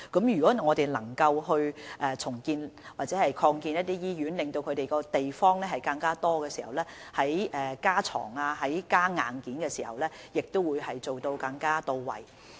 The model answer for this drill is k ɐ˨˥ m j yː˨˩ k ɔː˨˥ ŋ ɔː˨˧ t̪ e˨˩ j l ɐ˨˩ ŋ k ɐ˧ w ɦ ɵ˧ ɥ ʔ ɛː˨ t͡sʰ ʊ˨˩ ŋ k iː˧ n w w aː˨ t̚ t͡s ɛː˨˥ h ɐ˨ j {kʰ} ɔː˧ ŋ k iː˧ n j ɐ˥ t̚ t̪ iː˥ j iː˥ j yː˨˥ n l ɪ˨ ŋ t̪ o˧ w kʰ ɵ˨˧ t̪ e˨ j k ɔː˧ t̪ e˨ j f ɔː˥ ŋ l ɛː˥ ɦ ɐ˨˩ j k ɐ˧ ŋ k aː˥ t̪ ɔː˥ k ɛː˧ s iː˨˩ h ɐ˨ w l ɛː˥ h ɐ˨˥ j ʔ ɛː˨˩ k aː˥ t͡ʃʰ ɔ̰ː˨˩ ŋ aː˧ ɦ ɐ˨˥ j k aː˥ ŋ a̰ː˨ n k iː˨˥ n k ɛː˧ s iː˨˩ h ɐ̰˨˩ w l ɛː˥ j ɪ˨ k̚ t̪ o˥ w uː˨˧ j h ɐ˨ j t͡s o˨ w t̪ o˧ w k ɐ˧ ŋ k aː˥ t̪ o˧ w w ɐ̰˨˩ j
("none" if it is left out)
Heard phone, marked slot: kʰ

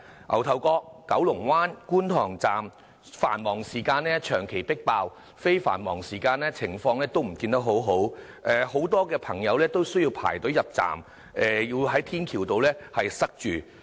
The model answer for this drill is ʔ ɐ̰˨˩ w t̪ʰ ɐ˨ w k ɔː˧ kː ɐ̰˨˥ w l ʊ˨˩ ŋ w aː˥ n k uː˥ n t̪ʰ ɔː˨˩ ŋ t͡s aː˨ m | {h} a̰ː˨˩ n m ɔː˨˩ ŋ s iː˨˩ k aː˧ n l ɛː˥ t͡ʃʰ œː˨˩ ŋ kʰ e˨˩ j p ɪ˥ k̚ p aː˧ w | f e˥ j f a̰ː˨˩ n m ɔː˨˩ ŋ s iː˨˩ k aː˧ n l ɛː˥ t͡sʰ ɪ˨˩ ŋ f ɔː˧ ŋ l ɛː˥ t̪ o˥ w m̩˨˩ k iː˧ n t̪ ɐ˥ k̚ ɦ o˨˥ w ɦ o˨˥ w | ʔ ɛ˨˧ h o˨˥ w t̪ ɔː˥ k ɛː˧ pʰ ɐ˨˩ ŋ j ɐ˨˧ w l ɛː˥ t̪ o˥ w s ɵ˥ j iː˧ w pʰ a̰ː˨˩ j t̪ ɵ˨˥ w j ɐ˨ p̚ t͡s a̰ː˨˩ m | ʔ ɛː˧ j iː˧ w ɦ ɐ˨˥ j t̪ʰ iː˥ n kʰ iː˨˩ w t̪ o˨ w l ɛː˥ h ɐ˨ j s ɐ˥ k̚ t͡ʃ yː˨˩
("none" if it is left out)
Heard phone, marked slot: f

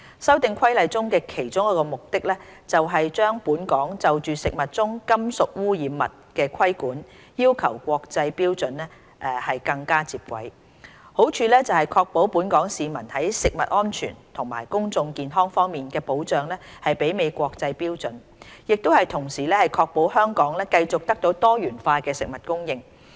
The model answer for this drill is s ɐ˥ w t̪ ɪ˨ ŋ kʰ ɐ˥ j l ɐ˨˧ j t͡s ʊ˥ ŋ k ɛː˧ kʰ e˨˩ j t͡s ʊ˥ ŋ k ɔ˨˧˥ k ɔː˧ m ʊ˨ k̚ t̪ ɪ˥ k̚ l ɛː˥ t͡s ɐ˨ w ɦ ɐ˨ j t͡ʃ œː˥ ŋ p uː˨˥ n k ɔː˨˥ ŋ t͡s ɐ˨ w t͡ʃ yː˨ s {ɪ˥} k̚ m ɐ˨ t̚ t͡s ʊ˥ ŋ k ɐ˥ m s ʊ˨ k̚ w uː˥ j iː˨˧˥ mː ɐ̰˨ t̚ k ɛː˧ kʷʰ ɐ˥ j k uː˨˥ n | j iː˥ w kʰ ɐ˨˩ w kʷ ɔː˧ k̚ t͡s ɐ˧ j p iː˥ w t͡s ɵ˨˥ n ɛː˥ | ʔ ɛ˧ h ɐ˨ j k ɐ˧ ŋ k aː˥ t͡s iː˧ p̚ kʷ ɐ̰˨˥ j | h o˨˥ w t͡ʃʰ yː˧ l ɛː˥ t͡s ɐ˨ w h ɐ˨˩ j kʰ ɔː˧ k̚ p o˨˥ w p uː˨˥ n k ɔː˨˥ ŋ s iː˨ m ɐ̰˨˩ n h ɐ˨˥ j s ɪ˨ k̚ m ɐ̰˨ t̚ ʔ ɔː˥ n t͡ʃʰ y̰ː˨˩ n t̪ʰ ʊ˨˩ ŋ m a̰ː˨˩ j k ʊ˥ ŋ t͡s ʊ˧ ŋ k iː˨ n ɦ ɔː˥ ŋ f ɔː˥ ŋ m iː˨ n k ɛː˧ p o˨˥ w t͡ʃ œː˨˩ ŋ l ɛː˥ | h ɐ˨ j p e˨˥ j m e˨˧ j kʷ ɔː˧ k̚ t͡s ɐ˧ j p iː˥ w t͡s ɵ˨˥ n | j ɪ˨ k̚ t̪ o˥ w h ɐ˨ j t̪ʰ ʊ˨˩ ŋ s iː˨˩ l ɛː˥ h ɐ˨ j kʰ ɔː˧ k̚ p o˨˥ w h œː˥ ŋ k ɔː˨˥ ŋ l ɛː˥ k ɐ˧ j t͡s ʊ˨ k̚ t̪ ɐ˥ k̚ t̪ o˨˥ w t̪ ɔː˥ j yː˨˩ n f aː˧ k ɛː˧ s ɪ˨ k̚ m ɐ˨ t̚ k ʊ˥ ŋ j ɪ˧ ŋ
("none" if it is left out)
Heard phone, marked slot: ɪ˨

